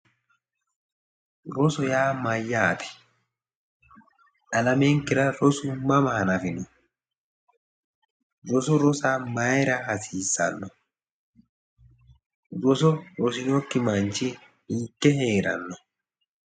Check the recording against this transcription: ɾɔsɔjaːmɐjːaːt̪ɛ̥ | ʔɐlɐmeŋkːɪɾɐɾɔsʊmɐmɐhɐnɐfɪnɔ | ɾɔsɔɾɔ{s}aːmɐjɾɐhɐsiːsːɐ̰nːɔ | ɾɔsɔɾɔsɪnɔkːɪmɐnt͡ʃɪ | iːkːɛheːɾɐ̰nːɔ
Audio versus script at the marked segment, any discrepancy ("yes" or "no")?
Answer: no